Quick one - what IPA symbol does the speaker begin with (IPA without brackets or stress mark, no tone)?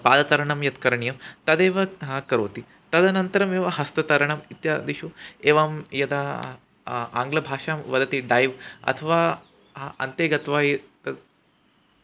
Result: p